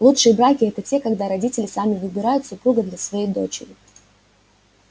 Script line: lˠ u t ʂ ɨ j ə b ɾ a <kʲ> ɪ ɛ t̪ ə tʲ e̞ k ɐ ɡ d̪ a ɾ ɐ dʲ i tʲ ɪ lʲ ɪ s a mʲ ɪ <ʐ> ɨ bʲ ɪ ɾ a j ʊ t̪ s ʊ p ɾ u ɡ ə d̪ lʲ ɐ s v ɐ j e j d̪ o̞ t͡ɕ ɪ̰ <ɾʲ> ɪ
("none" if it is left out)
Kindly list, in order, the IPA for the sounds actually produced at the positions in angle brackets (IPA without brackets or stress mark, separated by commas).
kʲ, v, ɾʲ